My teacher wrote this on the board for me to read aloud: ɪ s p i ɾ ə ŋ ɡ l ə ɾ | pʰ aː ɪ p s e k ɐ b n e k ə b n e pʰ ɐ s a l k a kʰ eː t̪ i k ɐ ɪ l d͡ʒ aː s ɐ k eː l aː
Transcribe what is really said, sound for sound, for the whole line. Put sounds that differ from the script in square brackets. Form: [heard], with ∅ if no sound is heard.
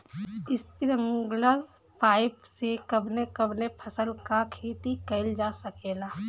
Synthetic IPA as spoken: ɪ s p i ɾ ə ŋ ɡ l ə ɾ | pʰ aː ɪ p s e k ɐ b n e k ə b n e pʰ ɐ s [ə] l k a kʰ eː t̪ i k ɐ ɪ l d͡ʒ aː s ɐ k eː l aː